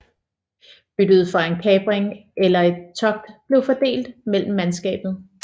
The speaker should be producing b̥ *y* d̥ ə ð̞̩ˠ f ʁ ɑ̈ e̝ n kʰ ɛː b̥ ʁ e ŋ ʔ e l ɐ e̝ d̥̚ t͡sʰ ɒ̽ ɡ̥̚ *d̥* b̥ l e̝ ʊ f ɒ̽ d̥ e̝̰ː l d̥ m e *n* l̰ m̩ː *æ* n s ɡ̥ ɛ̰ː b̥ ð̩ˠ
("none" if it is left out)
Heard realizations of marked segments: y, d̥, none, æ

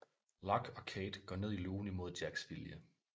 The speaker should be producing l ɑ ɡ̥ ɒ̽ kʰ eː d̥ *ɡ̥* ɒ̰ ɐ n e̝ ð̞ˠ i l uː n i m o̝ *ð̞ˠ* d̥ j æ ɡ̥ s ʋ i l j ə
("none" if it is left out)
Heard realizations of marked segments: ɡ̥, ð̞ˠ

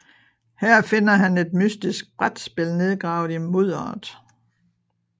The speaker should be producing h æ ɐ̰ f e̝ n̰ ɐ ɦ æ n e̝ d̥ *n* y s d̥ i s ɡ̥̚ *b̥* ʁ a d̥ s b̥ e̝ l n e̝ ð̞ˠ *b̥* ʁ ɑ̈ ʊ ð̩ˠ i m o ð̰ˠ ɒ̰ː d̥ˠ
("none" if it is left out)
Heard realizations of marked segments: m, b̥, ɡ̥

